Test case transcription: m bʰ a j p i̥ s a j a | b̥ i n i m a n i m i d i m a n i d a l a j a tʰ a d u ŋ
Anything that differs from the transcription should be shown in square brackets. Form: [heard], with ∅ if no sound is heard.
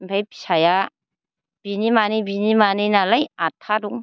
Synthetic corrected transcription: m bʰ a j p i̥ s a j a | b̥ i n i m a n i [b] i [n] i m a n i [n] a l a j a tʰ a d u ŋ

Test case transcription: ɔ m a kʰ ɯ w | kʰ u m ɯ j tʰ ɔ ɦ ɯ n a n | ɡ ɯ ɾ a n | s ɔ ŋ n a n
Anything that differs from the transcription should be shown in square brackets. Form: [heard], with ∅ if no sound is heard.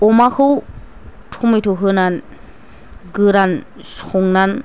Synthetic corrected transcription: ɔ m a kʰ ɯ w | [tʰ] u m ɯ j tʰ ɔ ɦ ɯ n a n | ɡ ɯ ɾ a n | s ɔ ŋ n a n

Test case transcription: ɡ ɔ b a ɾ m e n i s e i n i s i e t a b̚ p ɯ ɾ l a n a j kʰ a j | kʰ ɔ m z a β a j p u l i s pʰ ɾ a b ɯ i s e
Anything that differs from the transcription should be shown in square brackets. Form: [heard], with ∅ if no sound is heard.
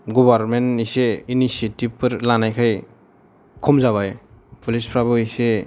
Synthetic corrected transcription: ɡ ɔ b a ɾ m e n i s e i n i s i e t [i] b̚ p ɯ ɾ l a n a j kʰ a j | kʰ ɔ m z a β a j p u l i s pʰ ɾ a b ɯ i s e

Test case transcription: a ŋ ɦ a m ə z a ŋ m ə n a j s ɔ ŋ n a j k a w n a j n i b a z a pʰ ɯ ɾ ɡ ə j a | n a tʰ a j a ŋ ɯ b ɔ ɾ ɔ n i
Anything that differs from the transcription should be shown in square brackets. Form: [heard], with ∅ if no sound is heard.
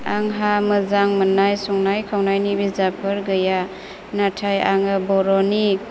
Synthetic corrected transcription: a ŋ ɦ a m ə z a ŋ m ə n a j s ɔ ŋ n a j [kʰ] a w n a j n i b [i] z a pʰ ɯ ɾ ɡ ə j a | n a tʰ a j a ŋ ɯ b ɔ ɾ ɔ n i

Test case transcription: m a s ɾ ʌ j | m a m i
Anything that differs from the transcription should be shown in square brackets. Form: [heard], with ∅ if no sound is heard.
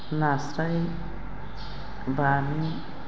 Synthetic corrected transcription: [n] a s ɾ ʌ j | [b] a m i

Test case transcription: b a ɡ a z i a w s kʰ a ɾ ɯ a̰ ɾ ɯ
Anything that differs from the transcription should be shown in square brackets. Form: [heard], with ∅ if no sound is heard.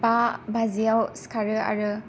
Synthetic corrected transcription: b a [b] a z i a w s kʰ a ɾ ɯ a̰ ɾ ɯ

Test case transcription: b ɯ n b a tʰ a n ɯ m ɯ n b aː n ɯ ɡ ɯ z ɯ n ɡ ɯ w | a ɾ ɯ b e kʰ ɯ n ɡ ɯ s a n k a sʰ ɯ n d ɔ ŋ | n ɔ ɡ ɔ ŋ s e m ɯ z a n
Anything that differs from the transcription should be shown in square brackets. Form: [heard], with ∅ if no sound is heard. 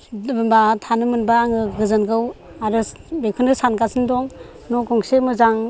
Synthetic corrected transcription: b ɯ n b a tʰ a n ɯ m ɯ n b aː [ŋ] ɯ ɡ ɯ z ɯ n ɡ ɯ w | a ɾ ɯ b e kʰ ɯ n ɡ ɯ s a n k a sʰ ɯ n d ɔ ŋ | n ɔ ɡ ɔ ŋ s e m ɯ z a [ŋ]

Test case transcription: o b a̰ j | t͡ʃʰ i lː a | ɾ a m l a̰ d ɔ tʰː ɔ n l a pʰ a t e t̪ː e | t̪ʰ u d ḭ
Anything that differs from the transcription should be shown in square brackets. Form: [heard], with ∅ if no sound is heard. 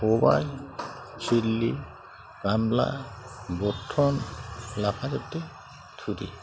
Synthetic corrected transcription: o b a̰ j | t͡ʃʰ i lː [i] | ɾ a m l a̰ [b] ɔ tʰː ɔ n l a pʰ a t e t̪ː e | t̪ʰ u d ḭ

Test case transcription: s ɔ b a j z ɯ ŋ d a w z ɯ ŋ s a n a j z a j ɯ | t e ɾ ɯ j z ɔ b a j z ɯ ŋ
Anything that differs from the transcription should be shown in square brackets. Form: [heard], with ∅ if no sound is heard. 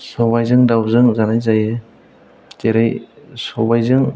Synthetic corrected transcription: s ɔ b a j z ɯ ŋ d a w z ɯ ŋ [z] a n a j z a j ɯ | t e ɾ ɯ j [s] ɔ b a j z ɯ ŋ

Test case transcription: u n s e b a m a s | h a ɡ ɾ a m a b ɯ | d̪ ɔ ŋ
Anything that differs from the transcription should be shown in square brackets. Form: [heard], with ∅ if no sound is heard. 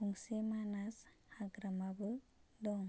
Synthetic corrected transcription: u [ŋ] s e [m] a [n] a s | h a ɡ ɾ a m a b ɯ | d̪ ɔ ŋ

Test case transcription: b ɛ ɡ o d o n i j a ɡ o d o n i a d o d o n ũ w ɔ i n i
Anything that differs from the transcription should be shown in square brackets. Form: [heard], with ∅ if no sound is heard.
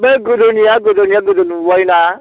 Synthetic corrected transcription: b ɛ ɡ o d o n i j a ɡ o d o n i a [ɡ] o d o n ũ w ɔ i n [a]

